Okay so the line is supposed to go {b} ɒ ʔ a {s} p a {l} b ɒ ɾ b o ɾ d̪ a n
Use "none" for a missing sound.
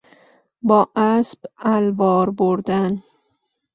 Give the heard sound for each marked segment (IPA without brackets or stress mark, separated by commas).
b, s, l